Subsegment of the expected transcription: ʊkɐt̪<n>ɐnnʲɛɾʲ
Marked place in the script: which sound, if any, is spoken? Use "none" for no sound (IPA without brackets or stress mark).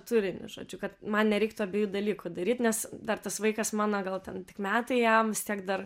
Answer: m